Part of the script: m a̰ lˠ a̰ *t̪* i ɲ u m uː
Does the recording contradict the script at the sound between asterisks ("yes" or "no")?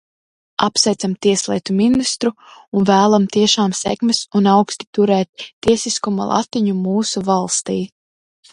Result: no